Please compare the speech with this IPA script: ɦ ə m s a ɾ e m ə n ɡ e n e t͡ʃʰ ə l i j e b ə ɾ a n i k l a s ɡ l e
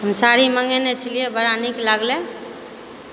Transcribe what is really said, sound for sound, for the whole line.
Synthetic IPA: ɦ ə m s a ɾ i m ə ŋ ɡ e n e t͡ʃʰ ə l i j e b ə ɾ a n i k l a ɡ l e